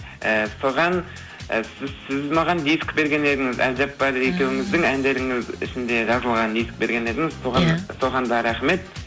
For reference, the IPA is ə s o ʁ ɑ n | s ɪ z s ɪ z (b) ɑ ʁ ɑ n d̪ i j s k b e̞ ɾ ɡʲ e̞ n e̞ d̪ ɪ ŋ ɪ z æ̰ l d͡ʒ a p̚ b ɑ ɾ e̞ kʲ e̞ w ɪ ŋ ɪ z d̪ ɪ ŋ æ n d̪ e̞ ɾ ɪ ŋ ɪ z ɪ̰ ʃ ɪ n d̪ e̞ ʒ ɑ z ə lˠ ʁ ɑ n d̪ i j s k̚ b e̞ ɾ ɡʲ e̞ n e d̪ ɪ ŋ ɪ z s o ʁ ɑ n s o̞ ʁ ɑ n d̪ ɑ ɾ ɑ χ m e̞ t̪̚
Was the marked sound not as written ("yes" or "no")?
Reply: yes